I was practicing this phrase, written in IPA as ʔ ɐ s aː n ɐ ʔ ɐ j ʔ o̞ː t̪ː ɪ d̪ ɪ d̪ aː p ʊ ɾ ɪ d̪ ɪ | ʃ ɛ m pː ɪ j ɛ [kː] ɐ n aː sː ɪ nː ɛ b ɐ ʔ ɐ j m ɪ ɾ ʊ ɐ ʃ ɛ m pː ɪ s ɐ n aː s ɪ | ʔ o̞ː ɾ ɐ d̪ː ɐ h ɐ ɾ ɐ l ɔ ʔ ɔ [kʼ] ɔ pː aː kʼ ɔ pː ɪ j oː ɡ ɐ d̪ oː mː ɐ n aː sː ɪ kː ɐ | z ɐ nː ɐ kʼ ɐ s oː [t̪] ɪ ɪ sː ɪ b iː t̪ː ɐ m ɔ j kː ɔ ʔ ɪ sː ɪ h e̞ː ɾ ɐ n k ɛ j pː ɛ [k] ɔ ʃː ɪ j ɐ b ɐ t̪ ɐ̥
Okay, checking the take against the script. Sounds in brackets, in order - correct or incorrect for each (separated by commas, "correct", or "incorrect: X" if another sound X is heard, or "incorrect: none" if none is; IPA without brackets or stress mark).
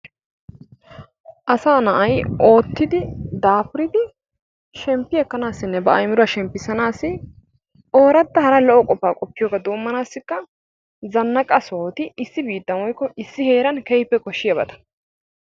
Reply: correct, correct, correct, correct